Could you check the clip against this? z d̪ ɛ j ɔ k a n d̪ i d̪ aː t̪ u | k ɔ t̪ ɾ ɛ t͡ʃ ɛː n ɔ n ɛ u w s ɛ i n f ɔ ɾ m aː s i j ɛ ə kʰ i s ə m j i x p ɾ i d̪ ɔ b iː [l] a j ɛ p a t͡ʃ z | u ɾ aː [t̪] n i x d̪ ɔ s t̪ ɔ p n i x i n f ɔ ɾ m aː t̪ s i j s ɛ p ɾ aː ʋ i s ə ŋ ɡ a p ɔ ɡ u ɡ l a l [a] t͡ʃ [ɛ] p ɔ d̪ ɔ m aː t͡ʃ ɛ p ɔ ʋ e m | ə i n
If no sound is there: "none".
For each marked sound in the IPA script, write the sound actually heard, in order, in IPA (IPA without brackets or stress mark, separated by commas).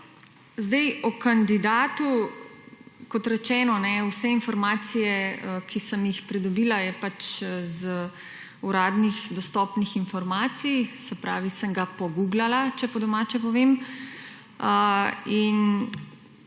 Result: l, d̪, a, ɛ